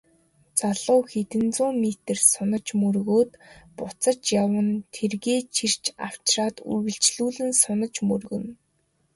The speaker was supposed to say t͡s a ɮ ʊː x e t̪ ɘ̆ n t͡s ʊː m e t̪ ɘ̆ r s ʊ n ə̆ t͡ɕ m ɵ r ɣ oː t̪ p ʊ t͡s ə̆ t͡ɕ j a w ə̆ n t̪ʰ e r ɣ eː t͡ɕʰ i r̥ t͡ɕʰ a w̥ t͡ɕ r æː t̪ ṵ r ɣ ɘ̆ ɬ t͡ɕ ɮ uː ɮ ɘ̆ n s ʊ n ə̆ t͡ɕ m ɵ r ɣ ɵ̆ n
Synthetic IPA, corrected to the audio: t͡s a ɮ ʊː x e t̪ ɘ̆ n t͡s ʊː m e t̪ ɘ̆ r s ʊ n ə̆ t͡ɕ m ɵ r ɣ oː t̪ p ʊ t͡s ə̆ t͡ɕ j a w ə̆ n t̪ʰ e r ɣ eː t͡ɕʰ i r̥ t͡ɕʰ a w̥ t͡ɕ r aː t̪ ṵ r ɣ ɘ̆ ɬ t͡ɕ ɮ uː ɮ ɘ̆ n s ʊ n ə̆ t͡ɕ m ɵ r ɣ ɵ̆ n